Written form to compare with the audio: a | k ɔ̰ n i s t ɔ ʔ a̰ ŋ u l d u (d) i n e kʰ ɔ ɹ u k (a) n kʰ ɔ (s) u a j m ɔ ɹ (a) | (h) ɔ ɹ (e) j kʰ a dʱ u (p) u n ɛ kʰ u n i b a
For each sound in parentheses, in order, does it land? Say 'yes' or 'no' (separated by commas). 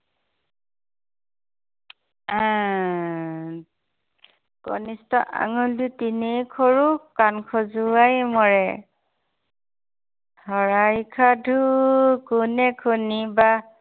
no, yes, no, no, yes, no, no